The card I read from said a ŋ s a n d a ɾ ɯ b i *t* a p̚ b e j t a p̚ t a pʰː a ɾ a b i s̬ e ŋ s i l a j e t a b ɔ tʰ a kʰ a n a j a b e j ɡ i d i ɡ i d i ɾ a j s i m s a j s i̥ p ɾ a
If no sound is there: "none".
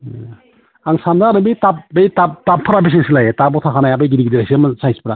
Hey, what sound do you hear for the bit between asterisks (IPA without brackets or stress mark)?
t